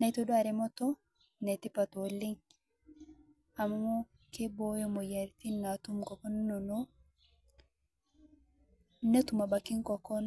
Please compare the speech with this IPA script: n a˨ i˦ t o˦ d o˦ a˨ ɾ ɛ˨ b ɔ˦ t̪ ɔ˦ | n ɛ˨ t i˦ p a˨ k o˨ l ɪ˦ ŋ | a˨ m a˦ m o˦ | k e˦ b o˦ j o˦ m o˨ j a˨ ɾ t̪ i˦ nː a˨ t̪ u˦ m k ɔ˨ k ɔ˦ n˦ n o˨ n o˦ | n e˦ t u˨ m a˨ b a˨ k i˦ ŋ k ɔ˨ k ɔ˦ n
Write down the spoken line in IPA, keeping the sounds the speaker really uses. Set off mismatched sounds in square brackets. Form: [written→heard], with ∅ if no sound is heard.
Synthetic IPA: n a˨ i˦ t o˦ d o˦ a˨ ɾ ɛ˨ [b→m] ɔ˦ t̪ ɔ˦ | n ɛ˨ t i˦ p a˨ [k→t] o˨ l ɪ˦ ŋ | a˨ m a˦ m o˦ | k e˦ b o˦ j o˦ m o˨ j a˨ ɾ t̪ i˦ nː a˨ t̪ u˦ m k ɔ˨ k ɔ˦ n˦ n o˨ n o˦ | n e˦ t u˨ m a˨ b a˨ k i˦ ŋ k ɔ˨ k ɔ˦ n